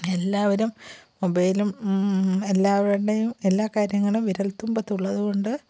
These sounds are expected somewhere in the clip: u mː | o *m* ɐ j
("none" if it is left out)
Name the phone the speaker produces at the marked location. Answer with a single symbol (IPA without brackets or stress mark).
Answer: b